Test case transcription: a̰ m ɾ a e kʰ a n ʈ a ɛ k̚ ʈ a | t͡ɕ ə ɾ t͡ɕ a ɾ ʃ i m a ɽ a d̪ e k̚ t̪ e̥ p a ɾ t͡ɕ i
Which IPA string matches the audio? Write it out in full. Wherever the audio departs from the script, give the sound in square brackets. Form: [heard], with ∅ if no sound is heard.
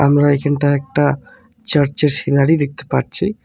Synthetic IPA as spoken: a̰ m ɾ a e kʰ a n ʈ a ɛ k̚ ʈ a | t͡ɕ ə ɾ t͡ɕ [e] ɾ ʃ i [n] a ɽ [i] d̪ e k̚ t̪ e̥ p a ɾ [t͡ɕʰ] i